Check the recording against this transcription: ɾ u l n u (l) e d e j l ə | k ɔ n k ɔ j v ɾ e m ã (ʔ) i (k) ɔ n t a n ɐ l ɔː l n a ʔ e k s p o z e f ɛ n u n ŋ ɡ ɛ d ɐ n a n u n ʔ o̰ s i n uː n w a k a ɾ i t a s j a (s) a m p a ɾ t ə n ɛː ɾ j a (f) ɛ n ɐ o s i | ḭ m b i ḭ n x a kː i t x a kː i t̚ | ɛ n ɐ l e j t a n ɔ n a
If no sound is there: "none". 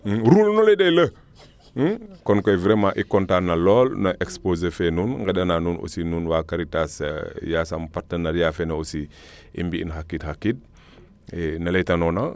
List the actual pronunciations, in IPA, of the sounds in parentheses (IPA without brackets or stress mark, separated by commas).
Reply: l, ʔ, k, s, f